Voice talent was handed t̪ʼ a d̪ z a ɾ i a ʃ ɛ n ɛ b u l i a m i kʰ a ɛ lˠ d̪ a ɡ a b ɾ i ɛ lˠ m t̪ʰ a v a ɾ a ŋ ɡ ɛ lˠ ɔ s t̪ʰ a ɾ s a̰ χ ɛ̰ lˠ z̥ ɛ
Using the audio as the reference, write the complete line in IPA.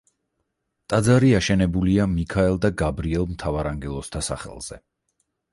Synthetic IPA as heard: t̪ʼ a d̪ z a ɾ i a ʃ ɛ n ɛ b u l i a m i kʰ a ɛ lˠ d̪ a ɡ a b ɾ i ɛ lˠ m t̪ʰ a v a ɾ a ŋ ɡ ɛ lˠ ɔ s t̪ʰ a s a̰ χ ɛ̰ lˠ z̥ ɛ